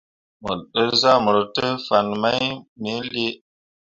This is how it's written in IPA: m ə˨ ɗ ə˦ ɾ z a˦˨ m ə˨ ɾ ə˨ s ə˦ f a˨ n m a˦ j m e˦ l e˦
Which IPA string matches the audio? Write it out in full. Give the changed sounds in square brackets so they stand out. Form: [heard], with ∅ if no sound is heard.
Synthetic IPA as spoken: m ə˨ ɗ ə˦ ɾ z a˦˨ m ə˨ ɾ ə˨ [t] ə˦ f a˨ n m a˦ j m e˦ l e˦